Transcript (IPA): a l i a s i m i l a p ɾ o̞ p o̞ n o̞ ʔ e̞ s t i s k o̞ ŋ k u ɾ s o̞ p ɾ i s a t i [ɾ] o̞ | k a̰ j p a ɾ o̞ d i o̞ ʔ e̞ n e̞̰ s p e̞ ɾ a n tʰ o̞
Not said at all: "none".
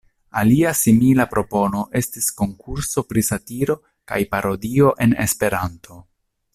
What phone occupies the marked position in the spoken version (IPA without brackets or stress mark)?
ɾ